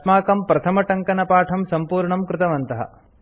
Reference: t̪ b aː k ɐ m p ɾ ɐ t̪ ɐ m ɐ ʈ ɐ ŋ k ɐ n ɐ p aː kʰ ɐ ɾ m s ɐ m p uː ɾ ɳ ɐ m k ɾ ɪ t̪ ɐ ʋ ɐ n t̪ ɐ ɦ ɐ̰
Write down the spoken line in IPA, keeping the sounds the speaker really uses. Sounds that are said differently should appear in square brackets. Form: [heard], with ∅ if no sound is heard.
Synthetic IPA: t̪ [m] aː k ɐ m p ɾ ɐ [t̪ʰ] ɐ m ɐ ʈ ɐ ŋ k ɐ n ɐ p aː [ʈʰ] ɐ [∅] m s ɐ m p uː ɾ ɳ ɐ m k ɾ ɪ t̪ ɐ ʋ ɐ n t̪ ɐ ɦ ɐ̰